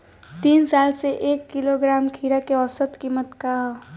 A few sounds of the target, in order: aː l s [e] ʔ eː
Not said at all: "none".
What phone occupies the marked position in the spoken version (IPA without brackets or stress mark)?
e